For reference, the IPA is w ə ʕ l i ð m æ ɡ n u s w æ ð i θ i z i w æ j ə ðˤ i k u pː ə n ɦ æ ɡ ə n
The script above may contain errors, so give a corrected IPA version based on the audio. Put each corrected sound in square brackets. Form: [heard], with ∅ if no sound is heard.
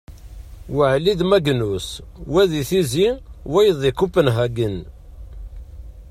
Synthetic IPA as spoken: w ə ʕ l i ð m æ ɡ n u s w æ ð i θ i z i w æ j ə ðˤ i k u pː ə n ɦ æ ɡ ə n